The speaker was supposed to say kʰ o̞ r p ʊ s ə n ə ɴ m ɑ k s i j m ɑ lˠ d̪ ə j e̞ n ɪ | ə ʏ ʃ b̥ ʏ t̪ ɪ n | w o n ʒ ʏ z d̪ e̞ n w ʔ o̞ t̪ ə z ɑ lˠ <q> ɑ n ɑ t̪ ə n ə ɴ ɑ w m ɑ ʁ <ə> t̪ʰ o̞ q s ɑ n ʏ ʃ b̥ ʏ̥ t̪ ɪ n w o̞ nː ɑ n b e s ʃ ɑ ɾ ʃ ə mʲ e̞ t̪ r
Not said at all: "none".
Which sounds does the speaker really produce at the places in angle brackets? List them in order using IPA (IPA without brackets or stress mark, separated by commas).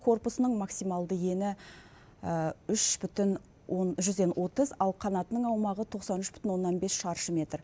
qʰ, ə